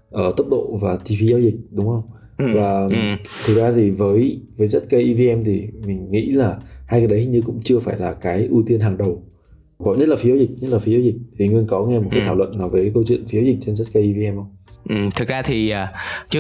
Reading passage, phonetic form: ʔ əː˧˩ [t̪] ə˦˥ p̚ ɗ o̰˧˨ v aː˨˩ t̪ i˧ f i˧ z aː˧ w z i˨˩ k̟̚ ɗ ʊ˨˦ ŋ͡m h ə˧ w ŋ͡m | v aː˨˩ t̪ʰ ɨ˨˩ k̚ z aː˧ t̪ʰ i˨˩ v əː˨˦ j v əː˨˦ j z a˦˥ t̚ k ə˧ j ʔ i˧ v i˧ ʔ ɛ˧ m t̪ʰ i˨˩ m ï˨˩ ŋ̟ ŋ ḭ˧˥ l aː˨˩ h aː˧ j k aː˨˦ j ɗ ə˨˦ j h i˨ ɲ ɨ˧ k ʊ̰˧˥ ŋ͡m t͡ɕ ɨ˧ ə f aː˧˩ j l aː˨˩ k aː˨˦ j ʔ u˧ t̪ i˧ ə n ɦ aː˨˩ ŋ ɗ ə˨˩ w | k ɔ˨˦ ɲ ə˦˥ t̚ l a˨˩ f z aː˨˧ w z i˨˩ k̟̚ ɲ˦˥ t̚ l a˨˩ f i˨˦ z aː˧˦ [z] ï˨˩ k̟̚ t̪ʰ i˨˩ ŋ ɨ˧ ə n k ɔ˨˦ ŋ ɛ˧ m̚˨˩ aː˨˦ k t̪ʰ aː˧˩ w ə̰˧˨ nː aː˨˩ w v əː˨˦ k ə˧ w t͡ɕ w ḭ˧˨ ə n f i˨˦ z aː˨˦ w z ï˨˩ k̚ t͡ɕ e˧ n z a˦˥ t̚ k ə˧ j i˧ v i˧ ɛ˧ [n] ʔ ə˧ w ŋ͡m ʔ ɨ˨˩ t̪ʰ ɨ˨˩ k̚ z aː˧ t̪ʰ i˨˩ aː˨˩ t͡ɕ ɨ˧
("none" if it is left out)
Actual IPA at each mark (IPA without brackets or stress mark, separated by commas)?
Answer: t̪, z, m